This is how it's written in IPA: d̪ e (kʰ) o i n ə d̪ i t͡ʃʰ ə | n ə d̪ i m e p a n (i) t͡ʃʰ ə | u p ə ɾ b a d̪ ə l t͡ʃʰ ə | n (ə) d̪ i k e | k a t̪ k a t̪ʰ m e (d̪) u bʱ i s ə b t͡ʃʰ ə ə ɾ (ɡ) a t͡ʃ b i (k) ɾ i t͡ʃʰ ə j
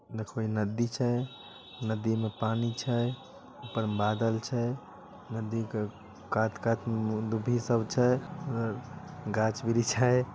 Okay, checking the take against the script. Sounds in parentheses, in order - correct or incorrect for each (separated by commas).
correct, correct, correct, correct, correct, incorrect